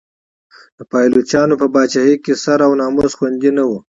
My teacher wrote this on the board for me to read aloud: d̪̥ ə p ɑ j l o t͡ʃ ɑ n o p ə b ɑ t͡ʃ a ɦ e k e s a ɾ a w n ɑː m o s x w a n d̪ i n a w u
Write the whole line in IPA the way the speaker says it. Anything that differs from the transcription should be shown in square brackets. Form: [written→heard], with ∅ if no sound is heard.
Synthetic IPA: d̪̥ ə p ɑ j l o t͡ʃ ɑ n o p ə b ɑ t͡ʃ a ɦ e k e s a ɾ a w n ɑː m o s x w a n d̪ i n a w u